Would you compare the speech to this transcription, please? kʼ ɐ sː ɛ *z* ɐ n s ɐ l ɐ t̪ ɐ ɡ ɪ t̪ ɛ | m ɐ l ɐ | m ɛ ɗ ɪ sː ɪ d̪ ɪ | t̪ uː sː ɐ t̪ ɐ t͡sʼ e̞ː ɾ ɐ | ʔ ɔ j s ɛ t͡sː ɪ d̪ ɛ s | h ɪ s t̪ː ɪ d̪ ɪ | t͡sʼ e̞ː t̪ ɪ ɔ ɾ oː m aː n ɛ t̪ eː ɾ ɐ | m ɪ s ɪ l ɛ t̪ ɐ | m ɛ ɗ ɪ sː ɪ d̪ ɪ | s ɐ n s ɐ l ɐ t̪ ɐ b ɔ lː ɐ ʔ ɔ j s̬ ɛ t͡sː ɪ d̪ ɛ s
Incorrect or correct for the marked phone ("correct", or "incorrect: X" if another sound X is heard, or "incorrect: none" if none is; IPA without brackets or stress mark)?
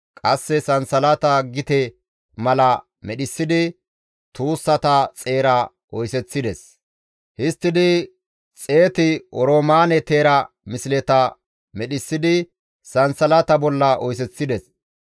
incorrect: s